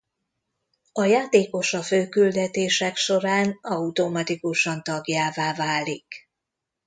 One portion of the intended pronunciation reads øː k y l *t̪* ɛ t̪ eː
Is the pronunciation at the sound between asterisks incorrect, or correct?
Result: incorrect: d̪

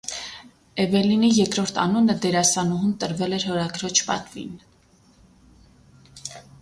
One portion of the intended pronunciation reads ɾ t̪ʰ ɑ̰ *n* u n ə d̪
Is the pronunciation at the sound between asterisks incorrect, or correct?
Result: correct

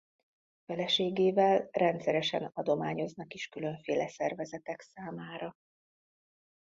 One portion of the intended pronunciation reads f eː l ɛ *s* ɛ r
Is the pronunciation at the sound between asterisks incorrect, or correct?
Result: correct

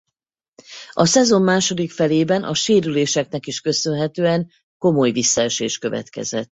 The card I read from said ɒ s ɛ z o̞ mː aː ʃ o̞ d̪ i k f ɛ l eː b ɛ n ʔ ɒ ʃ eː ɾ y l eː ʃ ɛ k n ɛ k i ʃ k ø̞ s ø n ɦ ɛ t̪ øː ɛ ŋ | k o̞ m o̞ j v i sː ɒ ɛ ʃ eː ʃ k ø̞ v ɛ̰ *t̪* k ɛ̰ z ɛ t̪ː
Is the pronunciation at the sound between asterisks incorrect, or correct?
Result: correct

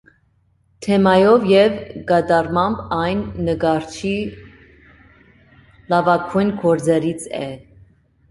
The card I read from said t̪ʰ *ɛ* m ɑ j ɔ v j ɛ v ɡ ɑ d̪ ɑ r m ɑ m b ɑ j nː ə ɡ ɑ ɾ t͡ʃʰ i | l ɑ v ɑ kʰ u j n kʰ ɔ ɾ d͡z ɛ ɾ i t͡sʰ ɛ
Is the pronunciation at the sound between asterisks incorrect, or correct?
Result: correct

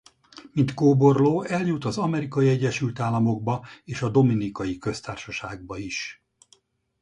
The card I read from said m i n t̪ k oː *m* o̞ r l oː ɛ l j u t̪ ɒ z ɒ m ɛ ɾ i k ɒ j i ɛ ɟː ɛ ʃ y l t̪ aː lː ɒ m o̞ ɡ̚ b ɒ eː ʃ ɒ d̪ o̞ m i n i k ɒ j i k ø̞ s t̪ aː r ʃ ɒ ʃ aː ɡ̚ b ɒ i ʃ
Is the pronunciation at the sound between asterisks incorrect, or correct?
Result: incorrect: b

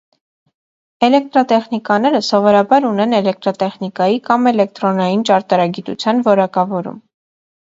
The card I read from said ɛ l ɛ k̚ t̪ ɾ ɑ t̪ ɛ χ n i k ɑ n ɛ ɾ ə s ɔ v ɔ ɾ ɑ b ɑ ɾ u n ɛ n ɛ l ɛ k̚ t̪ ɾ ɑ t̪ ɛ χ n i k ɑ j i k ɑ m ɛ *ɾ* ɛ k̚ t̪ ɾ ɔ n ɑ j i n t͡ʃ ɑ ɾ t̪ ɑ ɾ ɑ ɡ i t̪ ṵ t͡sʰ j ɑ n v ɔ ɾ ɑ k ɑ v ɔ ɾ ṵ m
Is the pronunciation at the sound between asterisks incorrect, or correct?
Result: incorrect: l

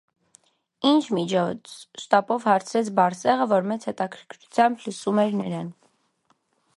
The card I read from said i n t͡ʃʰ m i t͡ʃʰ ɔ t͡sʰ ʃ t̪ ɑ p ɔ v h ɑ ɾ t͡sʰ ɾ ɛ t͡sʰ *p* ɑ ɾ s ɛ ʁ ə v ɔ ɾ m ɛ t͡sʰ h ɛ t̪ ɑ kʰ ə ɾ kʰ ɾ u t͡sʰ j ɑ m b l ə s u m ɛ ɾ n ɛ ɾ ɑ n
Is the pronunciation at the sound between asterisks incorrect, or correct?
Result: incorrect: b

